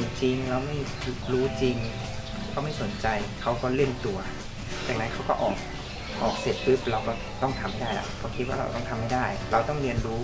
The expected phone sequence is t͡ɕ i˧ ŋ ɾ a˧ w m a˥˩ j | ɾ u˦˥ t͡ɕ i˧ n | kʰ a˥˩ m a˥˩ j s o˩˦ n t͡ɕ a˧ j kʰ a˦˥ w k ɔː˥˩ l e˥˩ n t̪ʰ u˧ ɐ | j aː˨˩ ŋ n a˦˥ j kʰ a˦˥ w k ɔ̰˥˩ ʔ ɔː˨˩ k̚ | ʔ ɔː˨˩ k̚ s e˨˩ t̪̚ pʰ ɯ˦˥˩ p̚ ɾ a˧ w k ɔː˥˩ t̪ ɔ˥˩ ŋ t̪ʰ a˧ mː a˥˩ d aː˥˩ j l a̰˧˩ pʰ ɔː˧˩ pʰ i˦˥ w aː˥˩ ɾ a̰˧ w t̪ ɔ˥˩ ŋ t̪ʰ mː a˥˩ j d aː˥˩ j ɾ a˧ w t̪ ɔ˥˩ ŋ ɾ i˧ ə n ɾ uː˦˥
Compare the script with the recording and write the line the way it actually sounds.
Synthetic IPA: t͡ɕ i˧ ŋ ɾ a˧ w m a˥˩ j | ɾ uː˦˥ t͡ɕ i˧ ŋ | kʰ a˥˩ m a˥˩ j s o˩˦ n t͡ɕ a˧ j kʰ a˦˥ w k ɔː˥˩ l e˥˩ n t̪ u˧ ɐ | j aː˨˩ ŋ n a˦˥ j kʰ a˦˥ w k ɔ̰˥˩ ʔ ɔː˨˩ k̚ | ʔ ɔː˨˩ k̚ s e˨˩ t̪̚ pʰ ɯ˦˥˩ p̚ ɾ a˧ w k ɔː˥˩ t̪ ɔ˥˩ ŋ t̪ʰ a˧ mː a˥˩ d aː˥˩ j l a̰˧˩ pʰ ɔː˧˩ kʰ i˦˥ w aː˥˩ ɾ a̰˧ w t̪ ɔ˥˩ ŋ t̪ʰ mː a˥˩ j d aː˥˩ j ɾ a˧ w t̪ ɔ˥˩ ŋ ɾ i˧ ə n ɾ uː˦˥

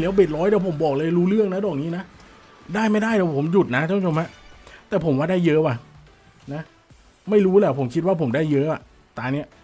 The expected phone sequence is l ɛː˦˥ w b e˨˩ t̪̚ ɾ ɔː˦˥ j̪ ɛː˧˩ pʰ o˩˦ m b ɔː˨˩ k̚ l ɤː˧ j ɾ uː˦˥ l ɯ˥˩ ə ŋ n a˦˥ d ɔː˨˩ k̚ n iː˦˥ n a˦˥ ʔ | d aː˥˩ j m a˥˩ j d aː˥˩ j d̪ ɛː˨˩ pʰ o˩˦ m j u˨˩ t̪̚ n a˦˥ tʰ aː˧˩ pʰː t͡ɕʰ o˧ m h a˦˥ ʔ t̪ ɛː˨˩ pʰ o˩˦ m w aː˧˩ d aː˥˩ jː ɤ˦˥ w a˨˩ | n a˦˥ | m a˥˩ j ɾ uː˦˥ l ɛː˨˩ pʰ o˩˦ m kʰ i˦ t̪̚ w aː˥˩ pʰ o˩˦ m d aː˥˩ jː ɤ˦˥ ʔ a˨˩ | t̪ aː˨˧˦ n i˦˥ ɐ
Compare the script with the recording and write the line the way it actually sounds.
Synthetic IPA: l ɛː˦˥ w b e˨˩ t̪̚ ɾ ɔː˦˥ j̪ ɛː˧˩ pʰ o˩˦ m b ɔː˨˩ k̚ l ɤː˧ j ɾ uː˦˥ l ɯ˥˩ ə ŋ n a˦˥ d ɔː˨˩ k̚ n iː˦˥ n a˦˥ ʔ | d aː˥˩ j m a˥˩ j d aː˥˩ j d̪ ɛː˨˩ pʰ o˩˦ m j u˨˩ t̪̚ n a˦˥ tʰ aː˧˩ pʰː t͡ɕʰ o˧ m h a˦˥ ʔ t̪ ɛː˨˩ pʰ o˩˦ m w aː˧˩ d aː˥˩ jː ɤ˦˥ w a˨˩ | n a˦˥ | m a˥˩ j ɾ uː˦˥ l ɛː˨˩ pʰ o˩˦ m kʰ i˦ t̪̚ w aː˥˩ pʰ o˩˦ m d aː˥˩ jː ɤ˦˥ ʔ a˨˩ | t̪ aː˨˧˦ n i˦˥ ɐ

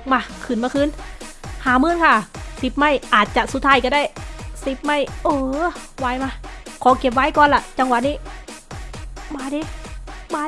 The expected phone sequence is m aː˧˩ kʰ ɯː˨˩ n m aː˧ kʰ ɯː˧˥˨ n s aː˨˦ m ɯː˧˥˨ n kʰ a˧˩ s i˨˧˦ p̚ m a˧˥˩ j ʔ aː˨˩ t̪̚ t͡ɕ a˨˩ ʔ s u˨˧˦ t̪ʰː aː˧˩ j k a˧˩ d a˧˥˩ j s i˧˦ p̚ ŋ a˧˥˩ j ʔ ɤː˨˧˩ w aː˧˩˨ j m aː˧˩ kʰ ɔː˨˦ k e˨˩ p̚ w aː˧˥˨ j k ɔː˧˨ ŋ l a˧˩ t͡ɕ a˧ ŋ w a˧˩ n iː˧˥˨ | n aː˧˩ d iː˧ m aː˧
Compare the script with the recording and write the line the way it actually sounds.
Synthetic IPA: m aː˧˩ kʰ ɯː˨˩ n m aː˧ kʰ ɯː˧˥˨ n h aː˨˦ m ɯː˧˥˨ n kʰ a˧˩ s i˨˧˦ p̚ m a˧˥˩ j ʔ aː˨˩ t̪̚ t͡ɕ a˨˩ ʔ s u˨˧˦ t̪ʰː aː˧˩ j k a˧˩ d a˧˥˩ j s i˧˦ p̚ m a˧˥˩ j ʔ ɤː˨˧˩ w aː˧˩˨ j m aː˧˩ kʰ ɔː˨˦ k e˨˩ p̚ w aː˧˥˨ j k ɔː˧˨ n l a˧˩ t͡ɕ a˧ ŋ w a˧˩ n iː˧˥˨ | m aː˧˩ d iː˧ m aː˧

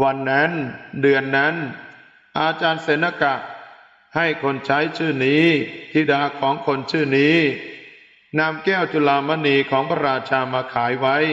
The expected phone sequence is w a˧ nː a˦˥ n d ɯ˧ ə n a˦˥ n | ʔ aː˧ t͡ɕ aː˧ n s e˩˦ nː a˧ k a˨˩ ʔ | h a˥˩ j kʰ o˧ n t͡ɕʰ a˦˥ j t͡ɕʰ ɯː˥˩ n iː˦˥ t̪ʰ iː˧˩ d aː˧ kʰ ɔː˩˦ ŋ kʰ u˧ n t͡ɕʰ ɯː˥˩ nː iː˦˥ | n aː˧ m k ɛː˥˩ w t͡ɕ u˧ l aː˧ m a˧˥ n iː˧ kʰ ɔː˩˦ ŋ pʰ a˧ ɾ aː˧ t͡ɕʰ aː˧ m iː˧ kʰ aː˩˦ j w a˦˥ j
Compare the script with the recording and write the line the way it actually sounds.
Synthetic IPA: w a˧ nː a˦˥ n d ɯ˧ ə nː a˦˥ n | ʔ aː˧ t͡ɕ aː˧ n s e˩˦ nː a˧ k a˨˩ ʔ | h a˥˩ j kʰ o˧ n t͡ɕʰ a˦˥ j t͡ɕʰ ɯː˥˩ n iː˦˥ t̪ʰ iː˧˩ d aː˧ kʰ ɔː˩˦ ŋ kʰ o˧ n t͡ɕʰ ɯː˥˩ n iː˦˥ | n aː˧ m k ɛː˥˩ w t͡ɕ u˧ l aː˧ m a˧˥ n iː˧ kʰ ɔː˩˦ ŋ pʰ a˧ ɾ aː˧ t͡ɕʰ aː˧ m aː˧ kʰ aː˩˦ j w a˦˥ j

